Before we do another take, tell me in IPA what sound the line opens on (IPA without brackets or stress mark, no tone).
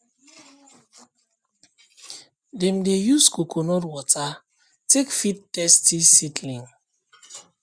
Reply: d